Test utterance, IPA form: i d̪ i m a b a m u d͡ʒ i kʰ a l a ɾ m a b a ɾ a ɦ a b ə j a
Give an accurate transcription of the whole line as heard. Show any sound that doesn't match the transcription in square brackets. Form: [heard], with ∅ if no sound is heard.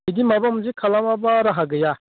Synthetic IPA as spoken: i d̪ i m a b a m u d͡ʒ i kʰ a l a [∅] m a b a ɾ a ɦ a [ɡ] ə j a